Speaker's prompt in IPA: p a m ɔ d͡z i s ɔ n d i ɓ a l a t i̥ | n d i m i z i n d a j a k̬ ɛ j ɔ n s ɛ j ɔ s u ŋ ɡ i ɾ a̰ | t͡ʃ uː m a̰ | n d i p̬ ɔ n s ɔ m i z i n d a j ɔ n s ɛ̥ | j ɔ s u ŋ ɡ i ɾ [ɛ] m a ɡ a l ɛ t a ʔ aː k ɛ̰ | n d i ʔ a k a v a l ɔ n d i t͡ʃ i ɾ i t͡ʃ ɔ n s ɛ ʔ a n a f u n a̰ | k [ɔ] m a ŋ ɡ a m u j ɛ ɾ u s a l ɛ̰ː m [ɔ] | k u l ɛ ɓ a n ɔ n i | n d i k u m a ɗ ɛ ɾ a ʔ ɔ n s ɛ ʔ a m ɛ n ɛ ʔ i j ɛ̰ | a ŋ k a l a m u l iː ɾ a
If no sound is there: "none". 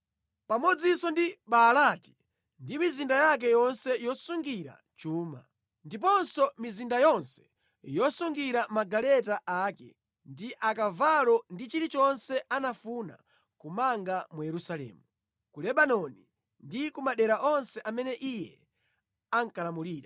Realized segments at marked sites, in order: a, u, u

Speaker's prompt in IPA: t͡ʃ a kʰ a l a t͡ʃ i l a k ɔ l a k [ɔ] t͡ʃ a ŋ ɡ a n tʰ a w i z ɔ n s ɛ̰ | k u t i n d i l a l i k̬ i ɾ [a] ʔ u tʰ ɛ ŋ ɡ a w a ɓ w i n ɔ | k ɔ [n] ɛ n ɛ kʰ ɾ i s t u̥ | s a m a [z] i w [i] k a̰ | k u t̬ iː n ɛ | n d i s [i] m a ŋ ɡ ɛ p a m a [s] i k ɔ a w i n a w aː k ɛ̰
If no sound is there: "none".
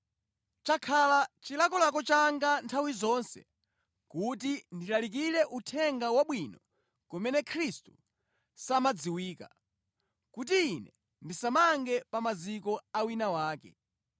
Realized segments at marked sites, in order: ɔ, ɛ, m, d͡z, iː, a, z

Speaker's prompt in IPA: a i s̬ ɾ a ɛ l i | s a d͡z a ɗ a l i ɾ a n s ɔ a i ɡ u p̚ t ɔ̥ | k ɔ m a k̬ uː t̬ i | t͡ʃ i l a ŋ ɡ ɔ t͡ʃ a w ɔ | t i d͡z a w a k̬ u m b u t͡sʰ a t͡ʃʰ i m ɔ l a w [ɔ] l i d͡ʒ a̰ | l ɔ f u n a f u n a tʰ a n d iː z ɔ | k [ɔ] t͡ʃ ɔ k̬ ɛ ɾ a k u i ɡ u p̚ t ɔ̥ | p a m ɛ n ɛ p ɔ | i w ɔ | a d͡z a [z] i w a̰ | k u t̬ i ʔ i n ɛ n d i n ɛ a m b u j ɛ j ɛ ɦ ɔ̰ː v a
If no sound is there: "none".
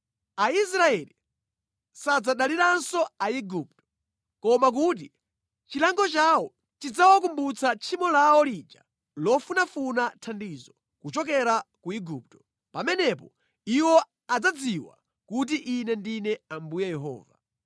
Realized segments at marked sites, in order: ɔ, u, d͡z

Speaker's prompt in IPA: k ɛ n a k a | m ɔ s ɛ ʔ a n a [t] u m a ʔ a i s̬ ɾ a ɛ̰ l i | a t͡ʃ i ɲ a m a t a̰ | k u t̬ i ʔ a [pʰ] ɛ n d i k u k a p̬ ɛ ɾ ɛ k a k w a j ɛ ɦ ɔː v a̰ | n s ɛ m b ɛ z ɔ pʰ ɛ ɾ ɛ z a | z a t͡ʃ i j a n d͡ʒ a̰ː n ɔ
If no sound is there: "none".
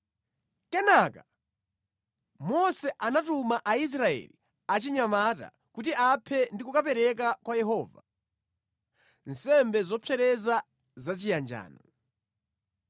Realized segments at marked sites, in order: t, pʰ

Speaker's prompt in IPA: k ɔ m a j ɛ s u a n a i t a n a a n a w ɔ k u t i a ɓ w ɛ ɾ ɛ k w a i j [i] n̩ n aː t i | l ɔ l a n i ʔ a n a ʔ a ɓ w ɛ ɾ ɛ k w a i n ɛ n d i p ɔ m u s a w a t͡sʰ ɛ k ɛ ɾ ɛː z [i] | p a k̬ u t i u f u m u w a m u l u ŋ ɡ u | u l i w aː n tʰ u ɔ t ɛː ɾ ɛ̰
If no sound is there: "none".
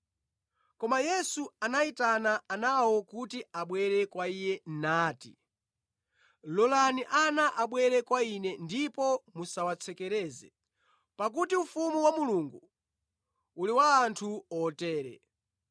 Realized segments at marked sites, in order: ɛ, ɛ

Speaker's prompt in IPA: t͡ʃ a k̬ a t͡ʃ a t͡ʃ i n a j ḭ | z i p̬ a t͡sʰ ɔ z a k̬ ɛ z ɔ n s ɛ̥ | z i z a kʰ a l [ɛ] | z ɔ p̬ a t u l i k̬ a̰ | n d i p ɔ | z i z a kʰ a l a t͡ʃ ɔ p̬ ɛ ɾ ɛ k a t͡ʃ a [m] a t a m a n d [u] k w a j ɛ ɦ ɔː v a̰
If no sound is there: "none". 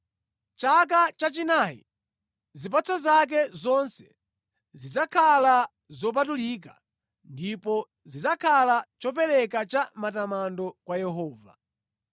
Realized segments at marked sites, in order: a, m, ɔ

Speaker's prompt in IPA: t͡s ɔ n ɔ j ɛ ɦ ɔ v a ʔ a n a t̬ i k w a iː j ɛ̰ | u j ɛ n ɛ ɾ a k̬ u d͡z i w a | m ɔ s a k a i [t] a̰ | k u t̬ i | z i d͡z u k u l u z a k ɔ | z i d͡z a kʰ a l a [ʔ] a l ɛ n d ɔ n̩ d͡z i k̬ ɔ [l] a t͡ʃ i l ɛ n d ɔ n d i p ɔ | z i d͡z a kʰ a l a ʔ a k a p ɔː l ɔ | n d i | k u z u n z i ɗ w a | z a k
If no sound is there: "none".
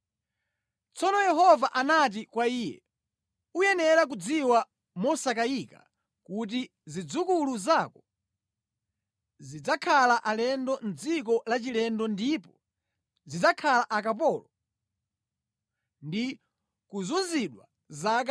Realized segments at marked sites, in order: k, ʔ, l

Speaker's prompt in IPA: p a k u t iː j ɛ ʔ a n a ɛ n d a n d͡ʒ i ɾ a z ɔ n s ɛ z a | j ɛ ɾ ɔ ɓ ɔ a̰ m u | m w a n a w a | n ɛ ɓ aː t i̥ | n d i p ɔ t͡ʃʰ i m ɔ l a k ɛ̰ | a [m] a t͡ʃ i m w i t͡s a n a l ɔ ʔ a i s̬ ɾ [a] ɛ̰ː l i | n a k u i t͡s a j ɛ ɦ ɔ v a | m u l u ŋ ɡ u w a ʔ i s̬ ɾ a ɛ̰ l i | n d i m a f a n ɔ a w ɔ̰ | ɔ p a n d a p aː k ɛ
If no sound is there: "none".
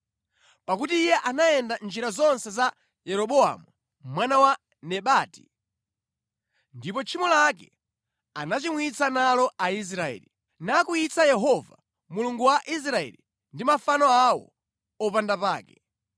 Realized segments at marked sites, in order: n, a

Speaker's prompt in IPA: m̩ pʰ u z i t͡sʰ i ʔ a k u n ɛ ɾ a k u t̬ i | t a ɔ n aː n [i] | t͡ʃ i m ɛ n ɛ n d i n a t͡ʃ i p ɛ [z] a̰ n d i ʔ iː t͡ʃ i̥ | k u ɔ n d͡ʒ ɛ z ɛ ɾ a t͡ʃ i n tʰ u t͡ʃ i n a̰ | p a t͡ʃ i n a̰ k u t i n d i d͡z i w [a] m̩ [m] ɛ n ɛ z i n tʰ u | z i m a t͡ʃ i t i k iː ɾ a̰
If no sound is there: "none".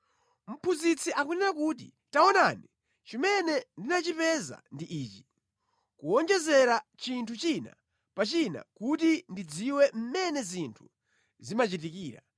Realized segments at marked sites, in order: i, z, ɛ, m

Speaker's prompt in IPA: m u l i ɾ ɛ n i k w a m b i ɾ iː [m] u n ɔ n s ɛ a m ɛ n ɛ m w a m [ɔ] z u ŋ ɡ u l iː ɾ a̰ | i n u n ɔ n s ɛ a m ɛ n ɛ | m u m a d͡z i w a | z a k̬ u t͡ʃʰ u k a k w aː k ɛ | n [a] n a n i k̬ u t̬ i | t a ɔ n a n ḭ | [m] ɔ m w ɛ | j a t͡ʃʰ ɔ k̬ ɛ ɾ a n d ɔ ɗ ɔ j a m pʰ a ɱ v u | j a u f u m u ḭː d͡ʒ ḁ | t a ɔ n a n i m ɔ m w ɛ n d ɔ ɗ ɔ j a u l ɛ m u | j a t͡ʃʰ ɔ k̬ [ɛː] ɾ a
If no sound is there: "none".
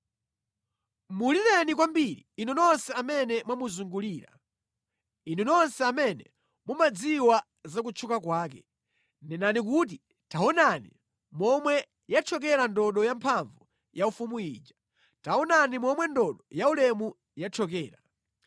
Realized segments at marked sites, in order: n, u, ɛ, m, ɛː

